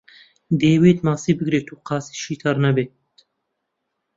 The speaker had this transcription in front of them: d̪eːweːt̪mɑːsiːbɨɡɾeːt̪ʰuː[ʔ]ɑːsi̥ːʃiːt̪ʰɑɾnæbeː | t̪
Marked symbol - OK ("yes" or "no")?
no